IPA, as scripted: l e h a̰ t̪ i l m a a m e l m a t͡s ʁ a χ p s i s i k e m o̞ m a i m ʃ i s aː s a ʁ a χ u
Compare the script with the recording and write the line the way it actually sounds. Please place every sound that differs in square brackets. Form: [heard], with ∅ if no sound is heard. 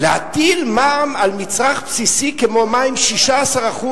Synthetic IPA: l e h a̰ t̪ i l m a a m [a] l m [i] t͡s ʁ a χ p s i s i k e m o̞ m a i m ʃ i [ʃ] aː s a ʁ a χ u